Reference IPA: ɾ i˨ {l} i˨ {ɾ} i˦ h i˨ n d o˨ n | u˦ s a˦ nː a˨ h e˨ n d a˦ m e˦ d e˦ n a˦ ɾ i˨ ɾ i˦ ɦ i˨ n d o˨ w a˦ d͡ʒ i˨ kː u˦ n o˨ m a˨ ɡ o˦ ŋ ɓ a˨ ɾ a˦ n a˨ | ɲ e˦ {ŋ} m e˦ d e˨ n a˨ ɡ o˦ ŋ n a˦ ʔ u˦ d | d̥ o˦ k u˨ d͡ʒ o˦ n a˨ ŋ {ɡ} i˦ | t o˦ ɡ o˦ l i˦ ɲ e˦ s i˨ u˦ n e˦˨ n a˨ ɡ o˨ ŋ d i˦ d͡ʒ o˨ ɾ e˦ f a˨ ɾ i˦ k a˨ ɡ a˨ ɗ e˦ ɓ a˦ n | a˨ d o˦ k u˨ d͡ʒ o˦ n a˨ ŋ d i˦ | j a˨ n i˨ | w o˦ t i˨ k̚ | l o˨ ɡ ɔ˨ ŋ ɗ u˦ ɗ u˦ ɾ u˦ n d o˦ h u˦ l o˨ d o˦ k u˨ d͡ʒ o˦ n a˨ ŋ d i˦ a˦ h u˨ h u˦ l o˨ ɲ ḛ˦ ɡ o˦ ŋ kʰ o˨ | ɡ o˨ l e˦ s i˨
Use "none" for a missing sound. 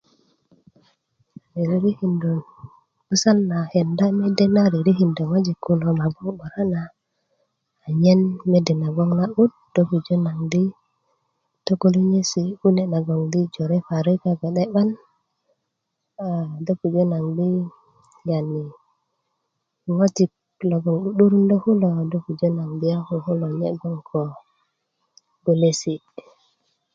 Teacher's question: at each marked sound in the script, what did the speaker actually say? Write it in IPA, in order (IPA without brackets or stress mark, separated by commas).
ɾ, ɾ, n, d